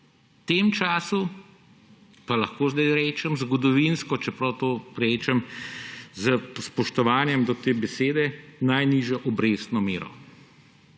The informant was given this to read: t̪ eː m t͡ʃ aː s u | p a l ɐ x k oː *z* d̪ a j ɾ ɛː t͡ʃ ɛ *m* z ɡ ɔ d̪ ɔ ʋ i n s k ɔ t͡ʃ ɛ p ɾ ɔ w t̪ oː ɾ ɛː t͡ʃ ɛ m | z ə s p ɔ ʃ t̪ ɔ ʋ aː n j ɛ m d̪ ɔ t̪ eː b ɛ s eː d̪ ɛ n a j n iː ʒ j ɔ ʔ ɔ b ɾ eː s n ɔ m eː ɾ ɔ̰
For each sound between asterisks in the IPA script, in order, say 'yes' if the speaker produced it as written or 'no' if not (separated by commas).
yes, yes